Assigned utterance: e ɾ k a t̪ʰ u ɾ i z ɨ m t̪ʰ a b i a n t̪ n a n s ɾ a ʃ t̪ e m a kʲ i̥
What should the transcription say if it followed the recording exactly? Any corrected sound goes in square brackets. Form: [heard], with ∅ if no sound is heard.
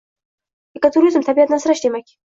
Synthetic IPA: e [∅] k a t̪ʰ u ɾ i z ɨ m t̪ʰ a b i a [∅] t̪ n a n s ɾ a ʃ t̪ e m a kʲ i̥